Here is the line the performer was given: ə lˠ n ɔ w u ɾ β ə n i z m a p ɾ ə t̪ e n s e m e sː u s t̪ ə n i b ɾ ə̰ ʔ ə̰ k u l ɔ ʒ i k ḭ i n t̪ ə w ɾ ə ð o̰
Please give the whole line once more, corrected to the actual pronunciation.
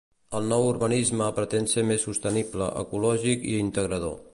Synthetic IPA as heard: ə lˠ n ɔ w u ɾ β ə n i z m ə p ɾ ə t̪ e n s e m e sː u s t̪ ə n i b l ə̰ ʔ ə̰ k u l ɔ ʒ i k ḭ i n t̪ ə ɣ ɾ ə ð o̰